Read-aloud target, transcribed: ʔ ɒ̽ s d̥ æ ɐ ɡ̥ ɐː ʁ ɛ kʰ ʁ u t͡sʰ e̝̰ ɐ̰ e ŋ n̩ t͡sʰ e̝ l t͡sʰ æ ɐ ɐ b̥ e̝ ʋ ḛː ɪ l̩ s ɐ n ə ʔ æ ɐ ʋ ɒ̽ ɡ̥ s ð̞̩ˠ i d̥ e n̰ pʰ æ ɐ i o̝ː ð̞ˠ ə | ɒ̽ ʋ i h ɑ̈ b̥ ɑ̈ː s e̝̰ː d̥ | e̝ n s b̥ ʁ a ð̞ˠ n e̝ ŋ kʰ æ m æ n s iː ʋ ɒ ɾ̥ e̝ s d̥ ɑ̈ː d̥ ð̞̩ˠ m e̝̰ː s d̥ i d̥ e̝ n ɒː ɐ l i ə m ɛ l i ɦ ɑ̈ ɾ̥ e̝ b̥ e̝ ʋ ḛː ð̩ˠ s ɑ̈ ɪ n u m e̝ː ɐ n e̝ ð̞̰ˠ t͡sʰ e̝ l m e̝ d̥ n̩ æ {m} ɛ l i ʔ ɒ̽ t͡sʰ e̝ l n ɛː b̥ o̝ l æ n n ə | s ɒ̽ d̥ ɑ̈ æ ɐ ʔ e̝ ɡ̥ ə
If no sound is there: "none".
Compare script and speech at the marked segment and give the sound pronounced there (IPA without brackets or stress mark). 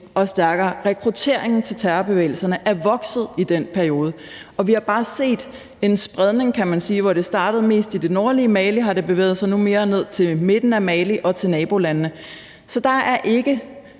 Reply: m